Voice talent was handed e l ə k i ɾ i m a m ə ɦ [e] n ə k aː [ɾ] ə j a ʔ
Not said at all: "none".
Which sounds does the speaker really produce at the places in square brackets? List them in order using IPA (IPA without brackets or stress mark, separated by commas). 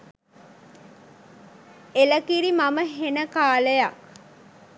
e, l